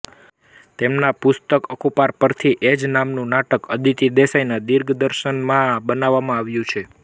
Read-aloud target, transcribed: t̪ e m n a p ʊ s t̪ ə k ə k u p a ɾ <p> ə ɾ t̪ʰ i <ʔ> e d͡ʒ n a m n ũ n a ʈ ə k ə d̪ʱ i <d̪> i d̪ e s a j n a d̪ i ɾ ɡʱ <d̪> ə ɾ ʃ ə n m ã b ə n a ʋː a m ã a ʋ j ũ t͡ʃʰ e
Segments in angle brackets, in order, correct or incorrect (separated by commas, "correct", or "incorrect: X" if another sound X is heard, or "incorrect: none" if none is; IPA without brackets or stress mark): correct, correct, incorrect: t̪, correct